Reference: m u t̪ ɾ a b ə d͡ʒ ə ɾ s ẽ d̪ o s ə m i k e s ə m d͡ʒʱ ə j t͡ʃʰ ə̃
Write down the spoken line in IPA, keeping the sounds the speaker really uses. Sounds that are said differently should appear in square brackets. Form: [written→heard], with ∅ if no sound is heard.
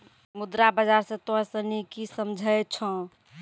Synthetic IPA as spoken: m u [t̪→d̪] ɾ a b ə d͡ʒ [ə→a] ɾ s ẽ [d̪→t̪] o s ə [m→n] i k [e→i] s ə m d͡ʒʱ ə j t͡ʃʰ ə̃